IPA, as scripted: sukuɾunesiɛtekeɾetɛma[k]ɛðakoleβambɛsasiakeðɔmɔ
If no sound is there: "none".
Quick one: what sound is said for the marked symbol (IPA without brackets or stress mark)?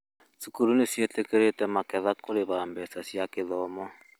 k